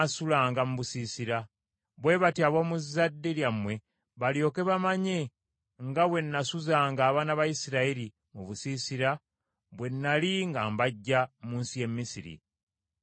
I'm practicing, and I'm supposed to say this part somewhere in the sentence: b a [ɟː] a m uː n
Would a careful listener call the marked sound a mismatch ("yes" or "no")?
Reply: no